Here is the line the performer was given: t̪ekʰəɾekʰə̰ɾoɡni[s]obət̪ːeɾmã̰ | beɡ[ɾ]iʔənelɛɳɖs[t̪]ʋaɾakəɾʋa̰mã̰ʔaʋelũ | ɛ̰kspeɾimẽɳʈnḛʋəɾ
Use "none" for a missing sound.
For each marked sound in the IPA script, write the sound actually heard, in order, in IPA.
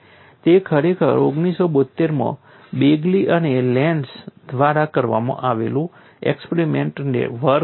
s, l, d̪

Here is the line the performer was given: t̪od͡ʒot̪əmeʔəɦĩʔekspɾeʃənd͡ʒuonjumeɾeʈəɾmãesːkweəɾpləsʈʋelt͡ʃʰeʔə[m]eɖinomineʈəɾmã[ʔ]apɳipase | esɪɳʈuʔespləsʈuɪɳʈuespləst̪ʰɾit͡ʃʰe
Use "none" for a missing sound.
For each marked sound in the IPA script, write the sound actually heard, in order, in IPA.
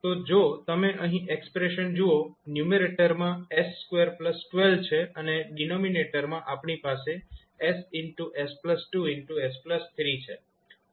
n, ʔ

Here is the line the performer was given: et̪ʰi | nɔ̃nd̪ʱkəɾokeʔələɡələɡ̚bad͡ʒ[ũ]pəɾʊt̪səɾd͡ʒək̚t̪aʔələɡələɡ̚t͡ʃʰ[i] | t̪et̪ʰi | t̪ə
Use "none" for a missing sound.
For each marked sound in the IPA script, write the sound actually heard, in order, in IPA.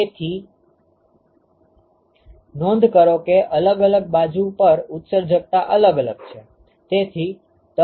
u, e

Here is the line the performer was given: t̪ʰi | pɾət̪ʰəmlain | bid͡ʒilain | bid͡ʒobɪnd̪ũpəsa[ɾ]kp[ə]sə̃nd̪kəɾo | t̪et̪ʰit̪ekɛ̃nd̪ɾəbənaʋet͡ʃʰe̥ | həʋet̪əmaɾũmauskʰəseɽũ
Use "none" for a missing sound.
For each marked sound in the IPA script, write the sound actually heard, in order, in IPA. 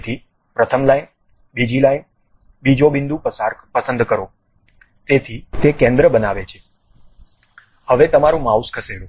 ɾ, ə

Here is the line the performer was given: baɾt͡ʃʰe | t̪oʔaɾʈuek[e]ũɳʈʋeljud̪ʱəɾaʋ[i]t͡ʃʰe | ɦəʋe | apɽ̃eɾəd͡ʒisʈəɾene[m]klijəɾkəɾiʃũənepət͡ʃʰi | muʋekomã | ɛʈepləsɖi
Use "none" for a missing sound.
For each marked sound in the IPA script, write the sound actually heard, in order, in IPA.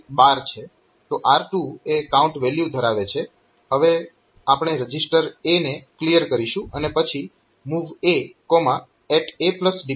a, e, none

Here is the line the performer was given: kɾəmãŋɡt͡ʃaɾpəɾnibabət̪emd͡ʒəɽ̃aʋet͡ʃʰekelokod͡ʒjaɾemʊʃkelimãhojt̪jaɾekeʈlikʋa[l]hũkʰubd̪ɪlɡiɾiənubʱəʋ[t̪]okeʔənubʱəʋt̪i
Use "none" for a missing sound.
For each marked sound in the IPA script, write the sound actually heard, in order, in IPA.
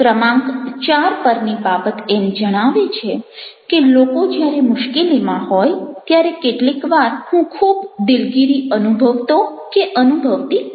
ɾ, t̪

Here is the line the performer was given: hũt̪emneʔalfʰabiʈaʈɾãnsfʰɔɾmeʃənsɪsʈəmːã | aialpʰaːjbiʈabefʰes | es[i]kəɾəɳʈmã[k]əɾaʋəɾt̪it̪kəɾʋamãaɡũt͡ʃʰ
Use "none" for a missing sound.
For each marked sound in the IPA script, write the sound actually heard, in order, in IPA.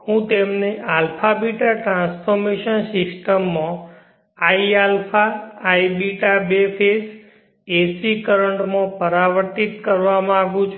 i, p

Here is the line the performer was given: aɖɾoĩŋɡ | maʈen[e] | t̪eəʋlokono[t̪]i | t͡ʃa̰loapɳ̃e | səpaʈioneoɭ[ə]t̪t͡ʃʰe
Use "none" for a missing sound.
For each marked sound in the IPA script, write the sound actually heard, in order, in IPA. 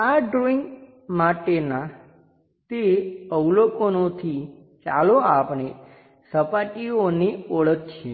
a, t̪ʰ, ə

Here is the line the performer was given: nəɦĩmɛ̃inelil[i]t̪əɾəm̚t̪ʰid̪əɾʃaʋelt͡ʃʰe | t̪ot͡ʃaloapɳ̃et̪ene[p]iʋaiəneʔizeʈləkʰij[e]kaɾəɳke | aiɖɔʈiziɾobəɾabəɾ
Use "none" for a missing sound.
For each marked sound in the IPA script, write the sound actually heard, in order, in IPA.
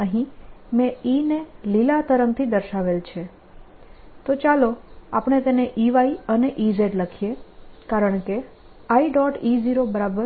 a, ʔ, e

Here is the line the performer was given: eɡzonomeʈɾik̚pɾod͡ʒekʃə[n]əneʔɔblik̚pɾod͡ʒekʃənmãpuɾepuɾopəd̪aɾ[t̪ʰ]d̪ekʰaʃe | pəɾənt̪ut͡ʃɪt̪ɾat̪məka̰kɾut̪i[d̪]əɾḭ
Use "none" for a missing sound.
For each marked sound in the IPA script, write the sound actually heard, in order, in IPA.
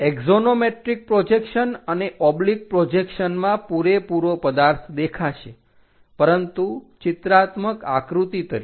n, t̪ʰ, t̪

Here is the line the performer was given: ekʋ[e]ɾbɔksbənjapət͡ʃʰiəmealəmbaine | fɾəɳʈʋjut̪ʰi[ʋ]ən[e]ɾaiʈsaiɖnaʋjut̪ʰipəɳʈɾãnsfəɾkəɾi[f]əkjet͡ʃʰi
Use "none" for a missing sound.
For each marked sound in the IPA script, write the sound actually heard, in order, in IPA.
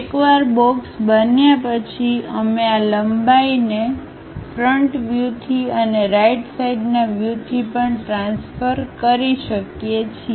a, none, e, ʃ

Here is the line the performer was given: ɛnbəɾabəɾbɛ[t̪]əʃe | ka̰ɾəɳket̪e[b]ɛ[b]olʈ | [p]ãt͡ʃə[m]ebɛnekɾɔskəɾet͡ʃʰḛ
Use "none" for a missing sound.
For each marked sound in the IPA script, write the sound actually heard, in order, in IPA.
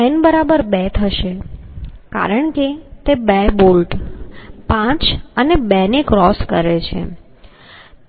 t̪ʰ, b, b, p, n

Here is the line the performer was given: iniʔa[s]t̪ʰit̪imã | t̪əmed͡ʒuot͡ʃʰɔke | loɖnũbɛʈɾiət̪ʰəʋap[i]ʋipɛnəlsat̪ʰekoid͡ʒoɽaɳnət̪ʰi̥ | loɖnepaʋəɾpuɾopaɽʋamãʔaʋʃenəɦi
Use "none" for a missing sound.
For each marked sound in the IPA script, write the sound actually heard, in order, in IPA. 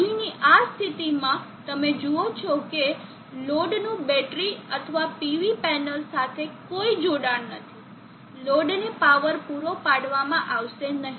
s, i

